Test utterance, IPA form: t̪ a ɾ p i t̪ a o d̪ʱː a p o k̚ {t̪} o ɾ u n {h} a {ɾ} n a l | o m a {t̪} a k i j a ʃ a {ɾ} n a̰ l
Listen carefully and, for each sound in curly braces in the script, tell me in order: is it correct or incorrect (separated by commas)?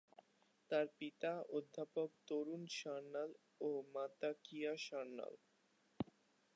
correct, incorrect, correct, correct, correct